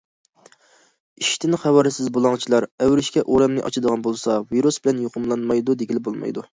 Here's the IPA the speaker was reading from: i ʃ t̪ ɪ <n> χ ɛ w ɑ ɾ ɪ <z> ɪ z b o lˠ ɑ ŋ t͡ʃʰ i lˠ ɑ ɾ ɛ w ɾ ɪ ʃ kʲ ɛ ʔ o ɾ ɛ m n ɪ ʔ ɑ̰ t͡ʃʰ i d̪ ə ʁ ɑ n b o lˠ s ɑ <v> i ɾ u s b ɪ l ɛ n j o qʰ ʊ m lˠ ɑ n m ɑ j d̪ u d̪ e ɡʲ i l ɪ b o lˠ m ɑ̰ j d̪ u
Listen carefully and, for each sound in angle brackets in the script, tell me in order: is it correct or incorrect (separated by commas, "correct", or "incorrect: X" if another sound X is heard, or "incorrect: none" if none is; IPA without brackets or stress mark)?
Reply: correct, incorrect: s, correct